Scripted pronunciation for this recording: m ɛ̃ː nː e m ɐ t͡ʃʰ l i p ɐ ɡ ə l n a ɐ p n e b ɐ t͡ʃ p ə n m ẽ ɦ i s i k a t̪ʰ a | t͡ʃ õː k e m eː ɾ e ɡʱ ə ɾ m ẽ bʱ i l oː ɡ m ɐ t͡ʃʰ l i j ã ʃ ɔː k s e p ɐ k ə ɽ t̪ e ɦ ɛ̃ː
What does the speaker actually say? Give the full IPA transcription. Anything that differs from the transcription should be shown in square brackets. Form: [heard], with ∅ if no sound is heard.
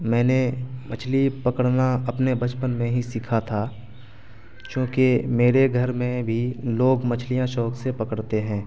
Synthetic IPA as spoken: m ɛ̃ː [n] e m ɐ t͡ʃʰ l i p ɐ [k] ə [ɽ] n a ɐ p n e b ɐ t͡ʃ p ə n m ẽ ɦ i s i [kʰ] a t̪ʰ a | t͡ʃ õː k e m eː ɾ e ɡʱ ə ɾ m ẽ bʱ i l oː ɡ m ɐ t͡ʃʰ l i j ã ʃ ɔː k s e p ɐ k ə ɽ t̪ e ɦ ɛ̃ː